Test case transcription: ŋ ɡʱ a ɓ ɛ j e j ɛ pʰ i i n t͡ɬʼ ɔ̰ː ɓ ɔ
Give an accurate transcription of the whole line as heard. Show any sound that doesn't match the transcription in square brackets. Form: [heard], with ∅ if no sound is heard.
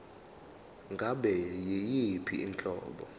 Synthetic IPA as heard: ŋ ɡʱ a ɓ ɛ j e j [i] pʰ i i n t͡ɬʼ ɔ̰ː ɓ ɔ

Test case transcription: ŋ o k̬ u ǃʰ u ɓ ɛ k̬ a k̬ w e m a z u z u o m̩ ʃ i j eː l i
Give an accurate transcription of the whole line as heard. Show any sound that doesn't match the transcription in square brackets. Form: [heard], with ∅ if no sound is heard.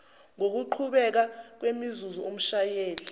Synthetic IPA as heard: ŋ o k̬ u ǃʰ u ɓ ɛ k̬ a k̬ w e m [i] z u z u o m̩ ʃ [a] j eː l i

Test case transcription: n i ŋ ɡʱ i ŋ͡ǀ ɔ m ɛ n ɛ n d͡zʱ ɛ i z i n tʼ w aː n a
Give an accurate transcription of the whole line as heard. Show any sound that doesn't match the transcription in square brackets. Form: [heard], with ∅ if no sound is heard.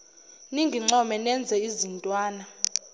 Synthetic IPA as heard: n i ŋ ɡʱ i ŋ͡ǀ ɔ m ɛ n ɛ n d͡zʱ ɛ i z i n tʼ w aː n a

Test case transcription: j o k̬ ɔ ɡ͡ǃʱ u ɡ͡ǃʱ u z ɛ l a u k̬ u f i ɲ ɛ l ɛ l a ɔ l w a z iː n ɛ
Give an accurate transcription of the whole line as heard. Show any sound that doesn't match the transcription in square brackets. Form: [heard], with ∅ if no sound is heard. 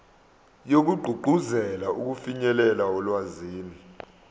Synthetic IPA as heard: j o k̬ [u] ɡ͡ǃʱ u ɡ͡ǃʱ u z ɛ l a u k̬ u f i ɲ ɛ l ɛ l a ɔ l w a z iː n [i]

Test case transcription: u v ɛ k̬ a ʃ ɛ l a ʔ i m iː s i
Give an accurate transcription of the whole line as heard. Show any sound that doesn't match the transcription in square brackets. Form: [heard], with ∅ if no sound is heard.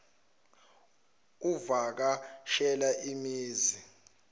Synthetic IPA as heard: u v [a] k̬ a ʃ ɛ l a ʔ i m iː [z] i

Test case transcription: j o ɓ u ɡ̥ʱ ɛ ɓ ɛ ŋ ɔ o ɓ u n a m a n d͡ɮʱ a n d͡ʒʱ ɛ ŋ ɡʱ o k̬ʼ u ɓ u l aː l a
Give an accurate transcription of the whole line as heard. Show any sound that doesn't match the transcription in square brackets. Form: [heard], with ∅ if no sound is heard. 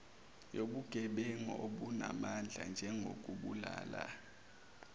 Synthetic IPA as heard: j o ɓ u ɡ̥ʱ ɛ ɓ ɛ ŋ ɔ o ɓ u n a m a n d͡ɮʱ a n d͡ʒʱ ɛ ŋ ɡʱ o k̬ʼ u ɓ u l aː l a

